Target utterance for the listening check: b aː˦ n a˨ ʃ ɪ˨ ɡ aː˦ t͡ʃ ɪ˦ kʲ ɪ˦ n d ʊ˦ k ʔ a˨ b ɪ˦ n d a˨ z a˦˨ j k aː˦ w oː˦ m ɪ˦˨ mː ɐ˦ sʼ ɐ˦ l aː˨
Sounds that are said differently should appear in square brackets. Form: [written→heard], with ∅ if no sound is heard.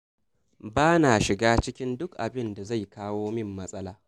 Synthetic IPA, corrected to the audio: b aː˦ n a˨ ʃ ɪ˨ ɡ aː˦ t͡ʃ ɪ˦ kʲ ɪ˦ n d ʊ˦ k ʔ a˨ b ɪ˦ n d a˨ z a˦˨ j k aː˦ w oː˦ m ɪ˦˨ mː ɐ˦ sʼ ɐ˦ l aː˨